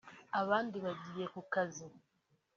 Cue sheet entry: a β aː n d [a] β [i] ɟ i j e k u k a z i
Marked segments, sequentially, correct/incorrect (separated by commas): incorrect, incorrect